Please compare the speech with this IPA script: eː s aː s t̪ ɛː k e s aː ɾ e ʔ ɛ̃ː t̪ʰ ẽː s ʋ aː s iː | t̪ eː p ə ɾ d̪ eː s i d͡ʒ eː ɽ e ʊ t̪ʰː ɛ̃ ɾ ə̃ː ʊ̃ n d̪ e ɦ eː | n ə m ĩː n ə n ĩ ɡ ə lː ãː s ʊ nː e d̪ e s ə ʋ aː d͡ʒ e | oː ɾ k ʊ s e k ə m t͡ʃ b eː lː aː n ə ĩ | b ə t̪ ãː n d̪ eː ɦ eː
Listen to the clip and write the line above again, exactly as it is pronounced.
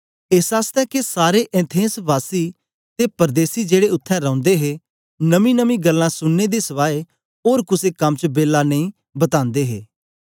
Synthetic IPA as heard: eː s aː s t̪ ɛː k e s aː ɾ e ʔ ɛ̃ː t̪ʰ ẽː s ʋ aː s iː | t̪ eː p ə ɾ d̪ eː s i d͡ʒ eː ɽ e ʊ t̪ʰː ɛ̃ ɾ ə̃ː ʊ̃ n d̪ e ɦ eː | n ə m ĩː n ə m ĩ ɡ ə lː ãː s ʊ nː e d̪ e s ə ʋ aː e | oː ɾ k ʊ s e k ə m t͡ʃ b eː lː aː n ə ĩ | b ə t̪ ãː n d̪ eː ɦ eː

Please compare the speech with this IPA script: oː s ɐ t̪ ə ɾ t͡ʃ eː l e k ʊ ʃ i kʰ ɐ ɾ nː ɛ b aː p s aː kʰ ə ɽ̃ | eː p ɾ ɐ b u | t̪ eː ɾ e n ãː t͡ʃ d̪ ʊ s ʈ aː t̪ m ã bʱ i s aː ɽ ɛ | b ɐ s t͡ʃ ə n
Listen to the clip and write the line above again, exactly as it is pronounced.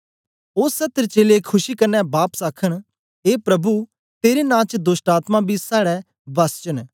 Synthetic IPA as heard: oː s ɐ t̪ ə ɾ t͡ʃ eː l e kʰ ʊ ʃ i k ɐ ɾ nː ɛ b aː p s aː kʰ ə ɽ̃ | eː p ɾ ɐ b u | t̪ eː ɾ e n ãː t͡ʃ d̪ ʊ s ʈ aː t̪ m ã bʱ i s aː ɽ ɛ | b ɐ s t͡ʃ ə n

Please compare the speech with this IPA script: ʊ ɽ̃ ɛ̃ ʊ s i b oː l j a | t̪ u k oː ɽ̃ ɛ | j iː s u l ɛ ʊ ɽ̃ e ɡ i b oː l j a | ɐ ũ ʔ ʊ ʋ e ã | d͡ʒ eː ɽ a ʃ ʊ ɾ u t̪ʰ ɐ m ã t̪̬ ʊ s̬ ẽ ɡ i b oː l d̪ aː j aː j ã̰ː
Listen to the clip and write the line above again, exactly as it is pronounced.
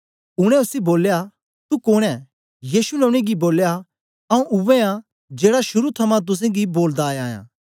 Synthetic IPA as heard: ʊ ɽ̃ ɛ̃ ʊ s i b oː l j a | t̪ u k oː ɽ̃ ɛ | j iː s u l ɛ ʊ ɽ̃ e ɡ i b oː l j a | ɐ ũ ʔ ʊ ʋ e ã | d͡ʒ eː ɽ a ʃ ʊ ɾ u t̪ʰ ɐ m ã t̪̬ ʊ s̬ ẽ ɡ i b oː l d̪ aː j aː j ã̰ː

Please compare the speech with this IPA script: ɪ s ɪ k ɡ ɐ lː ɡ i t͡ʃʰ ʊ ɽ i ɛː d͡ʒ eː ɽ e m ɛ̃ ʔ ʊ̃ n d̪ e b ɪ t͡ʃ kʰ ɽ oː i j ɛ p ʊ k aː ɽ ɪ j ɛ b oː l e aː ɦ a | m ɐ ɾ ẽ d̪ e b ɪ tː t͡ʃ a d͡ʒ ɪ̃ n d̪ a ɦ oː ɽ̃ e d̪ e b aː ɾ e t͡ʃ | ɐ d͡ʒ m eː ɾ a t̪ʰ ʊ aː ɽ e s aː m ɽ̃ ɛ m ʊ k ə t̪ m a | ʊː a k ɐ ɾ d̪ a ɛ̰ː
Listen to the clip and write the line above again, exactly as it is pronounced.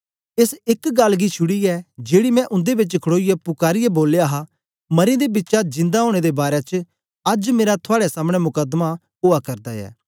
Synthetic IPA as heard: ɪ s ɪ k ɡ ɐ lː ɡ i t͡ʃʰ ʊ ɽ i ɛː d͡ʒ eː ɽ i m ɛ̃ ʔ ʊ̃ n d̪ e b ɪ t͡ʃ kʰ ɽ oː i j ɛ p ʊ k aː ɾ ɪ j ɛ b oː l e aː ɦ a | m ɐ ɾ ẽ d̪ e b ɪ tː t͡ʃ a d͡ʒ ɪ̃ n d̪ a ɦ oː ɽ̃ e d̪ e b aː ɾ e t͡ʃ | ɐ d͡ʒ m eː ɾ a t̪ʰ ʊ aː ɽ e s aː m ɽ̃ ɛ m ʊ k ə d̪ m a | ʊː a k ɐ ɾ d̪ a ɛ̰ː

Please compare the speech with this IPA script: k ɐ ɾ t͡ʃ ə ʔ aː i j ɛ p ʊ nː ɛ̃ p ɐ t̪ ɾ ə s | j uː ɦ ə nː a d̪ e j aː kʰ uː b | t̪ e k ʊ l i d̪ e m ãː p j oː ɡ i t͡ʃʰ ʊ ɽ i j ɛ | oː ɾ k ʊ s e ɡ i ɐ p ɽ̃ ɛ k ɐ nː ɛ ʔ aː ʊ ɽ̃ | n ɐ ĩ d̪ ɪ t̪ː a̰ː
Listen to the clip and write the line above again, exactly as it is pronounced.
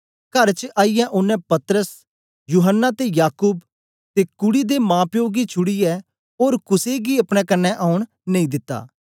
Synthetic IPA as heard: k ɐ ɾ t͡ʃ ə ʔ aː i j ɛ ʔ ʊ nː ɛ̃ p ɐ t̪ ɾ ə s | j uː ɦ ə nː a t̪ e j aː k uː b | t̪ e k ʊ ɽ i d̪ e m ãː p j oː ɡ i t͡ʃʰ ʊ ɽ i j ɛ | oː ɾ k ʊ s e ɡ i ɐ p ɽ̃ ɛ k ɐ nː ɛ ʔ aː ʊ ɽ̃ | n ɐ ĩ d̪ ɪ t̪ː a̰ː

